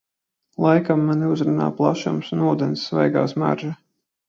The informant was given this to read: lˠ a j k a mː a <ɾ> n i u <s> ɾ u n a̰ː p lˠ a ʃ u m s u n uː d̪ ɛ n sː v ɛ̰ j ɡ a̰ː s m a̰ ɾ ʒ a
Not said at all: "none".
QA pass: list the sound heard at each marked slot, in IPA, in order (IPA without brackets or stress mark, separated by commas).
none, z